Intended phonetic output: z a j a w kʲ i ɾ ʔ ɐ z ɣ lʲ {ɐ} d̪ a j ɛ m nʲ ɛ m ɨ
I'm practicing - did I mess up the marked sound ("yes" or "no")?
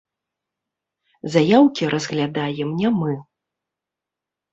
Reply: yes